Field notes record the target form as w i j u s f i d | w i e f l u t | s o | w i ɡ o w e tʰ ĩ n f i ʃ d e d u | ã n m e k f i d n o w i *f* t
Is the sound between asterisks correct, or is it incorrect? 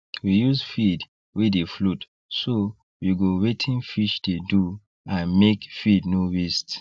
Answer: incorrect